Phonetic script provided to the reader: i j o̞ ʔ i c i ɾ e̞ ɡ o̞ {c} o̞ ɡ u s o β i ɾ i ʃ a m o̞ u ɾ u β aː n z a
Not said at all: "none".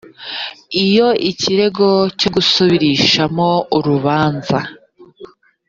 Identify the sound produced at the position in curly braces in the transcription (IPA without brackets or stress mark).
c